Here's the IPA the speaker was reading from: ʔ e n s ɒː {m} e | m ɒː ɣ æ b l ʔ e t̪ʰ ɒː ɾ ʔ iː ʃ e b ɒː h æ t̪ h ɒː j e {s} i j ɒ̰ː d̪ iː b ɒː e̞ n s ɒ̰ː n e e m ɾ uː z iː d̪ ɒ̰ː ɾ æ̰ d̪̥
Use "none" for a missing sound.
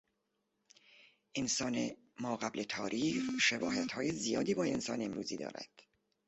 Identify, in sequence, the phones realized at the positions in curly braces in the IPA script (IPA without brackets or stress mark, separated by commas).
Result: n, z